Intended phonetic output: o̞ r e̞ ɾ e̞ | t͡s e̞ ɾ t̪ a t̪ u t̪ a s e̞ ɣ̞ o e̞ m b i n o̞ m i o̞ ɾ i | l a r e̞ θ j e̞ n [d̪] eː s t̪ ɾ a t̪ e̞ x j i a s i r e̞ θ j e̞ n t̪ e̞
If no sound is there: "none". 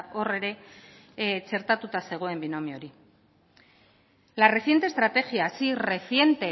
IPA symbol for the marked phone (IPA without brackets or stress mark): t̪